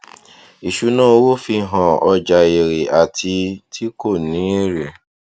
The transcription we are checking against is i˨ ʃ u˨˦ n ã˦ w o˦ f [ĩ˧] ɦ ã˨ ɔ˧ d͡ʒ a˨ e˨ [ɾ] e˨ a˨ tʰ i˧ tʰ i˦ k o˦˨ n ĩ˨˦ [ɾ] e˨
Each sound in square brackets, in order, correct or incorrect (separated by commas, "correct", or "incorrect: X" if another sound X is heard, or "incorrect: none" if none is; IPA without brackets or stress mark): incorrect: i˧, correct, correct